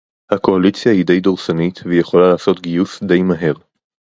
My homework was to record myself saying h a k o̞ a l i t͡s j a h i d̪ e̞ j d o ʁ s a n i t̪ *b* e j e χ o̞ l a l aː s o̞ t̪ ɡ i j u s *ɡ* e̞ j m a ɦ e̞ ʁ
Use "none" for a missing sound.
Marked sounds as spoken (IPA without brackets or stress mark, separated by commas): v, d